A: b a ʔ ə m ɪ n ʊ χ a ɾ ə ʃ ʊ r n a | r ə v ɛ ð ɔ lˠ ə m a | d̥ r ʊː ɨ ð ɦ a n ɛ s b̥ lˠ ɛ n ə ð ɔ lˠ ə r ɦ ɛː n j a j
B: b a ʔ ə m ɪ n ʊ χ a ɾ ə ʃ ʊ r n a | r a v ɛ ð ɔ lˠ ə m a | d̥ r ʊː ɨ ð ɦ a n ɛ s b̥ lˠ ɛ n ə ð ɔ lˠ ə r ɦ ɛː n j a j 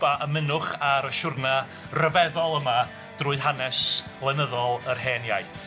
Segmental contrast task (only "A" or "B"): A